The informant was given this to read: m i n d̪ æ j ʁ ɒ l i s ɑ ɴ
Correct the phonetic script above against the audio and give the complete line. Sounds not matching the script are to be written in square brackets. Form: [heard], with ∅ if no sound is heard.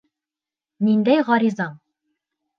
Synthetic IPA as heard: [n] i n d̪ æ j ʁ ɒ [ɾ] i [z] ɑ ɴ